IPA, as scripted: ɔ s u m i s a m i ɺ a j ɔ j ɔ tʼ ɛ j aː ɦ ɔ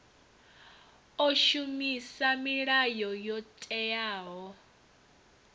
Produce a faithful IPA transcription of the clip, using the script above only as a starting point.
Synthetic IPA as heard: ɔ ʃ u m i s a m i ɺ a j ɔ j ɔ tʼ ɛ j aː ɦ ɔ